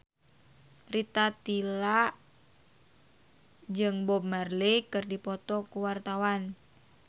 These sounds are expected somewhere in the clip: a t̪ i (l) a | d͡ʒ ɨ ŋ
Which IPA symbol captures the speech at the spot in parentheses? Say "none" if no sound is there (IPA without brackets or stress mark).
l